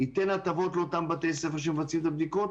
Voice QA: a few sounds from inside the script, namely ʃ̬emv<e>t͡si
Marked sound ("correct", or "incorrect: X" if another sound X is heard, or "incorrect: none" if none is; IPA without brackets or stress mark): incorrect: a